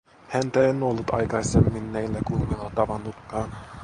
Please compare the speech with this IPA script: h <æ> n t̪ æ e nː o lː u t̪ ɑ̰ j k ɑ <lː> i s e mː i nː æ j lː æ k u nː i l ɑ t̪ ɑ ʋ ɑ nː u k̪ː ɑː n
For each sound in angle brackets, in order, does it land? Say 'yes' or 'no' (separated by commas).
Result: yes, no